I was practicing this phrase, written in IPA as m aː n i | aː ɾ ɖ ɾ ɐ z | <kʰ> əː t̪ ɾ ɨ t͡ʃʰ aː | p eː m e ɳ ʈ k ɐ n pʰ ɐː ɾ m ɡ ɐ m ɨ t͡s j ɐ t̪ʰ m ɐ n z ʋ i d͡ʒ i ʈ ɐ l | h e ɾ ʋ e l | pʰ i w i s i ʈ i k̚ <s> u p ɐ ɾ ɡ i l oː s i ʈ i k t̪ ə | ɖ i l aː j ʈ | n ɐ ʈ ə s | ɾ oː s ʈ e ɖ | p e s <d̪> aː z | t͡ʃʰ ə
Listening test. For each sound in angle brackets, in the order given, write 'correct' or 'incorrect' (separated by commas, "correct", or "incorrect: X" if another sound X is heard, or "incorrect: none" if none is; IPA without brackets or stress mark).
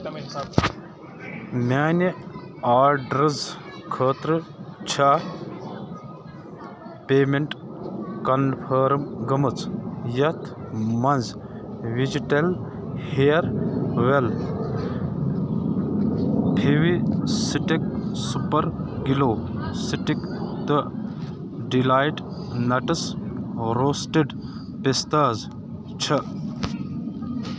correct, correct, incorrect: t̪